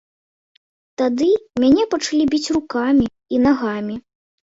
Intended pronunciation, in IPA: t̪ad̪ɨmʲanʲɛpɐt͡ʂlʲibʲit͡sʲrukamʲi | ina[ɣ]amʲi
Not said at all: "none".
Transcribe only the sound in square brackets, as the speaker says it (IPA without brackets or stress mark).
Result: ɣ